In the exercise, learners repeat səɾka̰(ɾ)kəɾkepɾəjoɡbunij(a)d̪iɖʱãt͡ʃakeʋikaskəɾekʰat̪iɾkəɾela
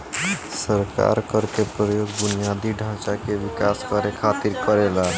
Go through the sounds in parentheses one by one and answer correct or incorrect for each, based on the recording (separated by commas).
correct, correct